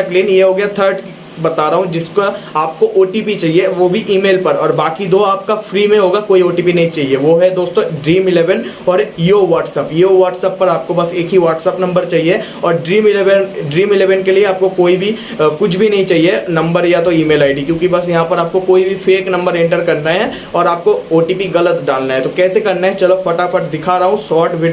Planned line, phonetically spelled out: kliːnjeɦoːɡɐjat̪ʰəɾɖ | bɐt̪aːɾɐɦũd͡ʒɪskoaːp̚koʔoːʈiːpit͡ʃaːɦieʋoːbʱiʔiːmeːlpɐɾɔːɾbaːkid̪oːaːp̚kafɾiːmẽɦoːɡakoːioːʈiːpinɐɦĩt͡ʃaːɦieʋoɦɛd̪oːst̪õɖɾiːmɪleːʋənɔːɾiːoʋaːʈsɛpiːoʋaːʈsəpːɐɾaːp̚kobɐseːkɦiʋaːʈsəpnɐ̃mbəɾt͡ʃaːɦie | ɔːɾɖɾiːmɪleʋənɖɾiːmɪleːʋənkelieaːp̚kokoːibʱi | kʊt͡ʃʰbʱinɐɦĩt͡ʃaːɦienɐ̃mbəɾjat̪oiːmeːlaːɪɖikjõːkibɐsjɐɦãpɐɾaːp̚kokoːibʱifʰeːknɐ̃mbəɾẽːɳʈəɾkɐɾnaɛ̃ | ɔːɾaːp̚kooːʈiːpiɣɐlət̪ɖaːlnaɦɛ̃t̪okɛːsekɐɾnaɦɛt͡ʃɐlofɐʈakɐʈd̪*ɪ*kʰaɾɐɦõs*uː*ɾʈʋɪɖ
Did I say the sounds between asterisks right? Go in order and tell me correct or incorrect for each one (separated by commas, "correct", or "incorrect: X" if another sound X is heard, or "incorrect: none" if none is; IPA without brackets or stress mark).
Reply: correct, incorrect: ɔː